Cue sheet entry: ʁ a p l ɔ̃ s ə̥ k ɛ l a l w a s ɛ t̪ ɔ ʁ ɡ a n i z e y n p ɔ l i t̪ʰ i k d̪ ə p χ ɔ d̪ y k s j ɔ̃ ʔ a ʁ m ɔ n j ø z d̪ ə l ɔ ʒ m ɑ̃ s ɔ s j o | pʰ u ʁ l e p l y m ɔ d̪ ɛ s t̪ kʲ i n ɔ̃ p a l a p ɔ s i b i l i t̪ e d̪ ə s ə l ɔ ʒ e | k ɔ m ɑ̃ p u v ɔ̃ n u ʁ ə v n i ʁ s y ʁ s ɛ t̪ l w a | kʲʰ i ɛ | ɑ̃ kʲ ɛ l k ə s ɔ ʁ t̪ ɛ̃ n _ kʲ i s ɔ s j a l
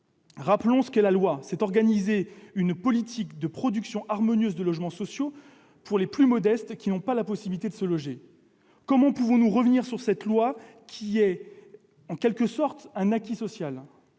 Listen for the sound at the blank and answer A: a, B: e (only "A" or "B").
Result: A